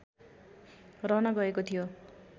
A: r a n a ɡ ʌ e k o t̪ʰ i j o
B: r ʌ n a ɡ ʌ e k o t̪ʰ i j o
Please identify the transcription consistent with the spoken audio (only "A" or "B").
B